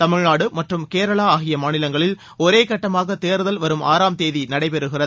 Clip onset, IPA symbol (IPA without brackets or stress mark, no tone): t̪